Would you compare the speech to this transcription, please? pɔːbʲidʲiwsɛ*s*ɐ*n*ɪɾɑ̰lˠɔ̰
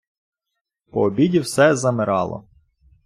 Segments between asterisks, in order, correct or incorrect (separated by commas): incorrect, incorrect